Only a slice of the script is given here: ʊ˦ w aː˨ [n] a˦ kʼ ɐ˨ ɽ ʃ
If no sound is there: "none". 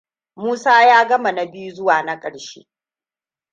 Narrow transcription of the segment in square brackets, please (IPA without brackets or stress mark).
n